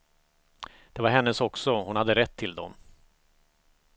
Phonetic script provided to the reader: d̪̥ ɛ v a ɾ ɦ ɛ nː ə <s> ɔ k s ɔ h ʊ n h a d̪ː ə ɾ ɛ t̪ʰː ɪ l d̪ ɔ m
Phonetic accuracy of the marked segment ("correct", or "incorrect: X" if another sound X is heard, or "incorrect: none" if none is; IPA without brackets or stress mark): correct